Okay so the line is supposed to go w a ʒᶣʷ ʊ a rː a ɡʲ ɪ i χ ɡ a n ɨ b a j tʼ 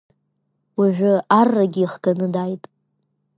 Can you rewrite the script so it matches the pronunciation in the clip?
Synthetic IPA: w a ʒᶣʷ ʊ a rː a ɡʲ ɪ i χ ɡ a n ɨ d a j tʼ